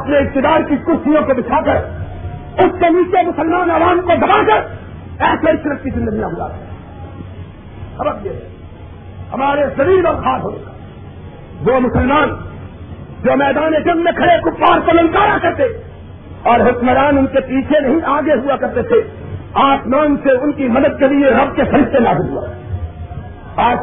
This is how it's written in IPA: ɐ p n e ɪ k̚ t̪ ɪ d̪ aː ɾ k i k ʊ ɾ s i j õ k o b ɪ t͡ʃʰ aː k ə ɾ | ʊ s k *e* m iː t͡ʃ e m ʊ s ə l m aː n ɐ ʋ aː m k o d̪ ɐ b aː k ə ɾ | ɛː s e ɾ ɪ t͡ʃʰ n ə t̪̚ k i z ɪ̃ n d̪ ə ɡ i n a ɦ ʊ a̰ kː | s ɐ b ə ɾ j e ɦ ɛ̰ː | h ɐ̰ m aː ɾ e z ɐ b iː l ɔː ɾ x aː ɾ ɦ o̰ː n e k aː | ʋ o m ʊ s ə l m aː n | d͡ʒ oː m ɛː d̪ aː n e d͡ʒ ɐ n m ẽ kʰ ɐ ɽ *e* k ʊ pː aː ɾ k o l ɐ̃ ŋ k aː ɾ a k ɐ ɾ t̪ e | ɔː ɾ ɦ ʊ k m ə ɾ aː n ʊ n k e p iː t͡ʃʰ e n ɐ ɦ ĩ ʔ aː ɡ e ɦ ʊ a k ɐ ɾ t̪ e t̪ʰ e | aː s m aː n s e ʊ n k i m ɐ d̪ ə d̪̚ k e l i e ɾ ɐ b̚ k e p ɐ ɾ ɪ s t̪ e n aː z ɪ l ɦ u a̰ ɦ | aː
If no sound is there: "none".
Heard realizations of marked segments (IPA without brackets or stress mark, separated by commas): e, e